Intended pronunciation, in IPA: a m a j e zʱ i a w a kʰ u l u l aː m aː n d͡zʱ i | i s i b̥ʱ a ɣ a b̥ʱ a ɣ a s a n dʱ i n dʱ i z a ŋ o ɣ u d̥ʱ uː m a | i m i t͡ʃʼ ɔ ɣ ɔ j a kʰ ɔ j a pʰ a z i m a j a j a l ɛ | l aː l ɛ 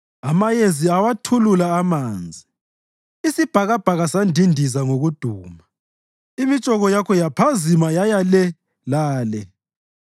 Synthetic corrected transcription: a m a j e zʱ i a w a tʰ u l u l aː m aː n d͡zʱ i | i s i b̥ʱ a ɣ a b̥ʱ a ɣ a s a n dʱ i n dʱ i z a ŋ o ɣ u d̥ʱ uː m a | i m i t͡ʃʼ ɔ ɣ ɔ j a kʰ ɔ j a pʰ a z i m a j a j a l ɛ | l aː l ɛ